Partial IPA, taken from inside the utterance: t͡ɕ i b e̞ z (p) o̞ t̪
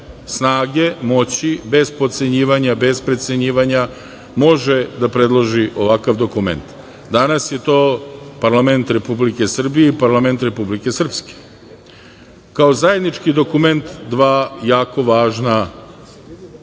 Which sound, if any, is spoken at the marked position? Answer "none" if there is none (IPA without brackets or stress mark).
p